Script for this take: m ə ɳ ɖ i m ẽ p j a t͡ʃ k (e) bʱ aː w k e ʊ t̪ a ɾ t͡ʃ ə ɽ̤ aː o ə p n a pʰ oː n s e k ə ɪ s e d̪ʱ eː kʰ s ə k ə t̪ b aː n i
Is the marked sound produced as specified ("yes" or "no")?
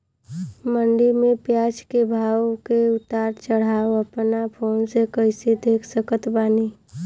yes